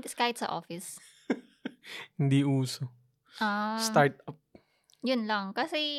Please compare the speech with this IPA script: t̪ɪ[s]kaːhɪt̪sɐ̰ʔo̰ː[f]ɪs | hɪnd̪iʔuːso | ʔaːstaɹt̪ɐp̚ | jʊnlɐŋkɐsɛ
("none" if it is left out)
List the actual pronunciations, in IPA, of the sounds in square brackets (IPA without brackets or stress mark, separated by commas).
s, f